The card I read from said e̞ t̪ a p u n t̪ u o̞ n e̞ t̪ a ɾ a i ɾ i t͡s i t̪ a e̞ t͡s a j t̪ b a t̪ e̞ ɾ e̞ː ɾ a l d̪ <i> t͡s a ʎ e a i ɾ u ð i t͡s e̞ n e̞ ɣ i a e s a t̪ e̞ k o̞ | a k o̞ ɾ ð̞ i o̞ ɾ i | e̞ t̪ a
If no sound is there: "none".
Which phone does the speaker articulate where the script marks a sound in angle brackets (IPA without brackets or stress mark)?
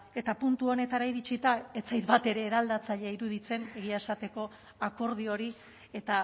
a